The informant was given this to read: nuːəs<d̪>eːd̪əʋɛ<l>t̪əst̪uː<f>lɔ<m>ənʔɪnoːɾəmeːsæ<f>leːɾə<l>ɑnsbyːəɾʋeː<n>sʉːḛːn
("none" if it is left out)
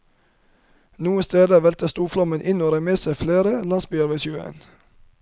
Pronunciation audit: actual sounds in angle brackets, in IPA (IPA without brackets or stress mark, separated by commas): t̪, l, f, m, f, l, none